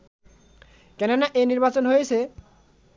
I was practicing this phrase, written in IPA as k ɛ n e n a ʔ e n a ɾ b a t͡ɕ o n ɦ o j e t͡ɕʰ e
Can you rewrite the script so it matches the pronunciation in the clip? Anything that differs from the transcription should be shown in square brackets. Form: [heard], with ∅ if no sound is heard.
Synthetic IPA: k ɛ n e n a ʔ e n [i] ɾ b a t͡ɕ o n ɦ o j e t͡ɕʰ e

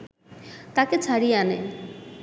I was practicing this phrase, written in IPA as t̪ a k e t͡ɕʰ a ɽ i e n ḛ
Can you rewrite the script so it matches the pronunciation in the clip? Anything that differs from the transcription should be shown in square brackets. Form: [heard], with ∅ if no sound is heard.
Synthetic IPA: t̪ a k e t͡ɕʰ a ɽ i [a] n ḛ

